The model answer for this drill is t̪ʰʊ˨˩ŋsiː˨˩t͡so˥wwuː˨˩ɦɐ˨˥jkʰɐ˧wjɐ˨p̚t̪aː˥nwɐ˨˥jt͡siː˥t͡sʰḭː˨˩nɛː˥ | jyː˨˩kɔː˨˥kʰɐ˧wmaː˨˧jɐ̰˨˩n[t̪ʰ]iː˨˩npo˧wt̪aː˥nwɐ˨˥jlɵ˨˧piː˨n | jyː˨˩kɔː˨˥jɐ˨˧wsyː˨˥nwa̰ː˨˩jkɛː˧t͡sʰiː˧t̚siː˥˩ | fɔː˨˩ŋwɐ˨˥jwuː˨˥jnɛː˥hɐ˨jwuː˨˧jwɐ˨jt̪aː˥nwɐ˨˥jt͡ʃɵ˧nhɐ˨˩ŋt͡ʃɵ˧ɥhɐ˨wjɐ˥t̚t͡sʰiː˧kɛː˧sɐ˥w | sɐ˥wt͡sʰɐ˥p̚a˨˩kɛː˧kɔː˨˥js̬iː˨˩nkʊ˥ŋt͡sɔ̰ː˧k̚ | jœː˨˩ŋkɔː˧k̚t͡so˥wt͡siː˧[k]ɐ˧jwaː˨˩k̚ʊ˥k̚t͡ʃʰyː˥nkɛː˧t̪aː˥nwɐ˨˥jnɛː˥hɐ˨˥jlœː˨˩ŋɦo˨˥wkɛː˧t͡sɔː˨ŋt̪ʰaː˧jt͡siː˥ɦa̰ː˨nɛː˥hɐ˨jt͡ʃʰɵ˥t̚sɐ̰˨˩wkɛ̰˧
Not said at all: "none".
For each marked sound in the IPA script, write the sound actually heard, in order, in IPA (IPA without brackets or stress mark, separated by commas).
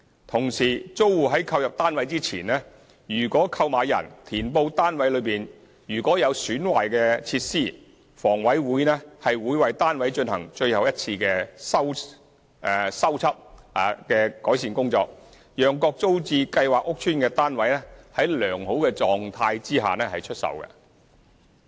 t̪ʰ, k